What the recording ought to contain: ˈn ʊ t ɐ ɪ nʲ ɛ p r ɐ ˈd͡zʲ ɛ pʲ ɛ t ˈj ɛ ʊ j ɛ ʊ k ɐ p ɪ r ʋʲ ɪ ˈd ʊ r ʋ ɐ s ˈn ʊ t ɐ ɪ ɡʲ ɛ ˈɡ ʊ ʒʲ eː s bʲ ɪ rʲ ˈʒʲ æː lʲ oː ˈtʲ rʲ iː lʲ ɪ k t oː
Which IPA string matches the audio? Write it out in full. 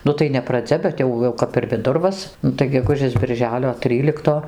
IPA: ˈn ʊ t ɐ ɪ nʲ ɛ p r ɐ ˈd͡zʲ ɛ bʲ ɛ t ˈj ɛ ʊ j ɛ ʊ k ɐ p ɪ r ʋʲ ɪ ˈd ʊ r ʋ ɐ s ˈn ʊ t ɐ ɪ ɡʲ ɛ ˈɡ ʊ ʒʲ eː s bʲ ɪ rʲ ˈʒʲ æː lʲ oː ˈtʲ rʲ iː lʲ ɪ k t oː